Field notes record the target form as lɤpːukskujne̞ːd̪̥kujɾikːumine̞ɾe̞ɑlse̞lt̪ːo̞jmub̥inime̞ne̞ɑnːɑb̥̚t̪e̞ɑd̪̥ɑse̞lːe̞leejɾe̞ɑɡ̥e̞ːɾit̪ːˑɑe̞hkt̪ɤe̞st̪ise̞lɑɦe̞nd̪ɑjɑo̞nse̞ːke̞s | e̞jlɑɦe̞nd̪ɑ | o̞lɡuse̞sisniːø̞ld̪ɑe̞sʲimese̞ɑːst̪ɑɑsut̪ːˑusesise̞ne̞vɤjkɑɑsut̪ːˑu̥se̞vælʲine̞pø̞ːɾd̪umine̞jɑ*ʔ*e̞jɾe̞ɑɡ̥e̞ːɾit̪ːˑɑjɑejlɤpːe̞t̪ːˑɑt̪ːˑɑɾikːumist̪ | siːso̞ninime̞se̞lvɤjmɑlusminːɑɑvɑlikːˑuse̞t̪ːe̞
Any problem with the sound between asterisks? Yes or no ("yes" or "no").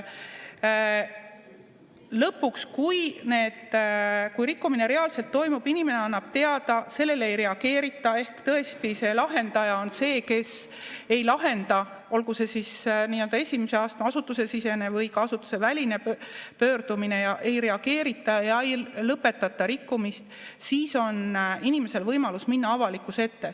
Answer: no